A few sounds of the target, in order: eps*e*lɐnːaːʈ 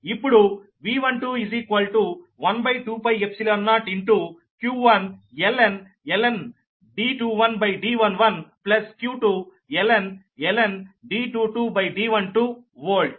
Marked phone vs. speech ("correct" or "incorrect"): incorrect